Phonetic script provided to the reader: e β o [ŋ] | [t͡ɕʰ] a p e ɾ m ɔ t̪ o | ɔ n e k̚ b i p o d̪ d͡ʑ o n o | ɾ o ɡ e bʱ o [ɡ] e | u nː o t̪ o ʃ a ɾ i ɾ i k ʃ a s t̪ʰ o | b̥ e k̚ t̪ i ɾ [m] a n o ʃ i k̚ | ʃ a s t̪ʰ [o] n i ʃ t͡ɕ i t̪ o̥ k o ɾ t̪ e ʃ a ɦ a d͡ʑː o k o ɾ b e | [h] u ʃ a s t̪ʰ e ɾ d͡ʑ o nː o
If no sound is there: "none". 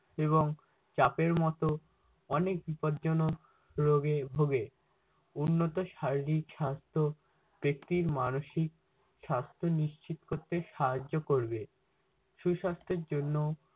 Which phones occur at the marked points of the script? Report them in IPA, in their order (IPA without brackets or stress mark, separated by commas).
ŋ, t͡ɕ, ɡ, m, o, ʃ